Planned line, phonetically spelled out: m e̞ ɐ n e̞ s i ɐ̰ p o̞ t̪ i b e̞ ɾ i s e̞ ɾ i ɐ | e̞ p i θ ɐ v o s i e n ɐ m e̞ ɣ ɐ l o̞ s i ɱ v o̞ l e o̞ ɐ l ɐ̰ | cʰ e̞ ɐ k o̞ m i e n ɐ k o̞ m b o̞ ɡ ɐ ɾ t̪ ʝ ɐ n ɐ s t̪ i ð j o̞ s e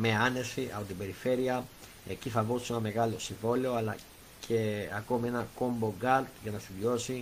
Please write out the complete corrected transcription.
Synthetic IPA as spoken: m e̞ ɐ n e̞ s i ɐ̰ p o̞ t̪ i b e̞ ɾ i f e̞ ɾ i ɐ | e̞ c i θ ɐ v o s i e n ɐ m e̞ ɣ ɐ l o̞ s i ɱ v o̞ l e o̞ ɐ l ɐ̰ | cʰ e̞ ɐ k o̞ m i e n ɐ k o̞ m b o̞ ɡ ɐ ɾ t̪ ʝ ɐ n ɐ s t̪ i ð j o̞ s i